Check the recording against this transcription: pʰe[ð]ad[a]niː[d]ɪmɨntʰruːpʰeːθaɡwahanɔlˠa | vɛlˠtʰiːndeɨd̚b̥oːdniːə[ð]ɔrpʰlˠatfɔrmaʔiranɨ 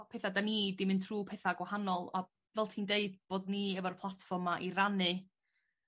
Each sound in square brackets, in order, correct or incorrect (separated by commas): incorrect, correct, correct, incorrect